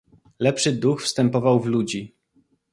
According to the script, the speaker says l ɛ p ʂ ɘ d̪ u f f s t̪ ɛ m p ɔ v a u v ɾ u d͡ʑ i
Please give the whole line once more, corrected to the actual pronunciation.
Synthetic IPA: l ɛ p ʂ ɘ d̪ u x f s t̪ ɛ m p ɔ v a w v l u d͡ʑ i